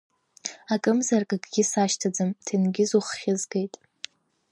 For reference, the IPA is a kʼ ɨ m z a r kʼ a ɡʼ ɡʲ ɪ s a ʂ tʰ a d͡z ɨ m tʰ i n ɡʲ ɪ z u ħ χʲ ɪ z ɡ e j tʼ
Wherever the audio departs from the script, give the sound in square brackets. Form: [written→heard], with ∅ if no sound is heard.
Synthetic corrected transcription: a kʼ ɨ m z a r kʼ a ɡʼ ɡʲ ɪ s a [ʂ→ʃ] tʰ a d͡z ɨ m tʰ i n ɡʲ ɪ z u [ħ→χ] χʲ ɪ z ɡ e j tʼ

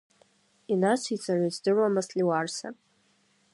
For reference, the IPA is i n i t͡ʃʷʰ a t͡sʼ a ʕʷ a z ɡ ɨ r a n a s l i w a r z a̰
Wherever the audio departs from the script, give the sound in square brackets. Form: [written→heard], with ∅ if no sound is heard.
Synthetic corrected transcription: i n [i→a] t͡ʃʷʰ [a→i] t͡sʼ a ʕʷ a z [ɡ→d] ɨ r a [n→m] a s l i w a r [z→s] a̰

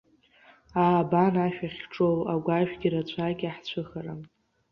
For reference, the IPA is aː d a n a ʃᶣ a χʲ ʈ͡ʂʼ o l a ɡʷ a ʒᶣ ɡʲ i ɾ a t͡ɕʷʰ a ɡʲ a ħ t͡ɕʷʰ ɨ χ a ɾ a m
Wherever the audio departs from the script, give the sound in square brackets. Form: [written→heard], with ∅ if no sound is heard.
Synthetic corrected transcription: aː [d→b] a n a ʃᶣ a χʲ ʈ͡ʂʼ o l a ɡʷ a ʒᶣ ɡʲ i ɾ a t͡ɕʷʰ a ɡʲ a ħ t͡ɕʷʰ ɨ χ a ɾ a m

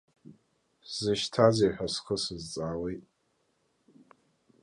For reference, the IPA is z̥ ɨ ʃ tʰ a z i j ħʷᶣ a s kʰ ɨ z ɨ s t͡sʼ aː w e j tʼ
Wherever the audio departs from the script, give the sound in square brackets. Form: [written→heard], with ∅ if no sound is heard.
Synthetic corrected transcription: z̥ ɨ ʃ tʰ a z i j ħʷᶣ a s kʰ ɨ [z→s] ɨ [s→z] t͡sʼ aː w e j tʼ

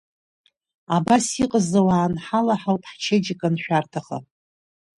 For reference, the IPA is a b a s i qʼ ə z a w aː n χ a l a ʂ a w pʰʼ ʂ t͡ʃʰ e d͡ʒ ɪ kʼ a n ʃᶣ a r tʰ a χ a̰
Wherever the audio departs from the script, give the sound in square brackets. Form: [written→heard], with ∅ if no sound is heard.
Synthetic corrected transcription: a b a s i qʼ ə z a w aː n [χ→ħ] a l a [ʂ→ħ] a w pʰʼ [ʂ→ħ] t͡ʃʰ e d͡ʒ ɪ kʼ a n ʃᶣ a r tʰ a χ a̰

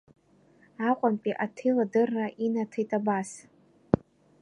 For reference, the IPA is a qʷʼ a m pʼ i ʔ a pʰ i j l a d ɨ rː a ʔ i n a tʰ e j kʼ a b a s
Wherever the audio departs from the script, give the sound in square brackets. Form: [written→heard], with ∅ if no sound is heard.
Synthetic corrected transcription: a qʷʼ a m pʼ i ʔ a [pʰ→tʰ] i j l a d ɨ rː a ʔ i n a tʰ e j [kʼ→tʼ] a b a s

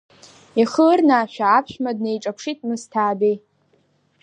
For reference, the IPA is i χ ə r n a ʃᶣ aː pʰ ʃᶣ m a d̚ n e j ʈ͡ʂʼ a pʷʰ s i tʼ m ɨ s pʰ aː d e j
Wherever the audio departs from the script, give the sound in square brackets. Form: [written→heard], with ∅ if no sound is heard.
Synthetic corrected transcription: i χ ə r n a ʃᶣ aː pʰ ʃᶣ m a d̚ n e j ʈ͡ʂʼ a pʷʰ [s→ʂ] i tʼ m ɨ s [pʰ→tʰ] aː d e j

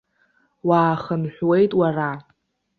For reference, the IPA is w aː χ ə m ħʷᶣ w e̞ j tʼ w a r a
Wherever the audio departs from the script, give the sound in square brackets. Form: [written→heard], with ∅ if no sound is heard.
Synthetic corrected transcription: w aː χ ə [m→n] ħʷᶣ w e̞ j tʼ w a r a

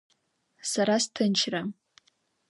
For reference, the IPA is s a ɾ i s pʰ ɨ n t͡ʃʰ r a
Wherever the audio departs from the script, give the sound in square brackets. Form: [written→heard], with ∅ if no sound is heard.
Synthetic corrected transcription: s a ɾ [i→a] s [pʰ→tʰ] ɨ n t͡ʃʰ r a

